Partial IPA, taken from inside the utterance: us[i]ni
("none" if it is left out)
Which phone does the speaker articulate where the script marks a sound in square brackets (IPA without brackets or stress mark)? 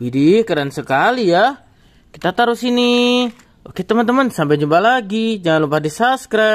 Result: i